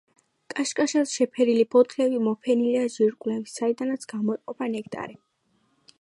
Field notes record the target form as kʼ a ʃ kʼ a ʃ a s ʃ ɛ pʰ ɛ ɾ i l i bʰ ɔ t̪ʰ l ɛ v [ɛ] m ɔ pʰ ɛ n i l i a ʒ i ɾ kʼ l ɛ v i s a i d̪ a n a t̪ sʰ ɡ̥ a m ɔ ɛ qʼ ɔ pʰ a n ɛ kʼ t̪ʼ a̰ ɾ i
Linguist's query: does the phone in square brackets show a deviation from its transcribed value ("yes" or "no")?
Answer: yes